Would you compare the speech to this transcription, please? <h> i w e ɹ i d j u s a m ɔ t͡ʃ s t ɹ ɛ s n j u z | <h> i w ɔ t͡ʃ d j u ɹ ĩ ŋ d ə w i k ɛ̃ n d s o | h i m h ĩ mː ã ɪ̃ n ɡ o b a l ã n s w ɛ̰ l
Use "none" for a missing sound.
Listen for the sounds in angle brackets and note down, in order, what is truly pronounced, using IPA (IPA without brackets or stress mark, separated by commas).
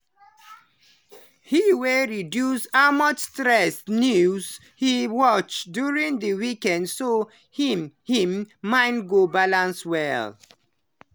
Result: h, h